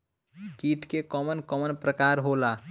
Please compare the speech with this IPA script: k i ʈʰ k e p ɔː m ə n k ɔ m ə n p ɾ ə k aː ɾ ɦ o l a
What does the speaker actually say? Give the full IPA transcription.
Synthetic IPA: k i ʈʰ k e k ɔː m ə n k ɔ m ə n p ɾ ə k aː ɾ ɦ o l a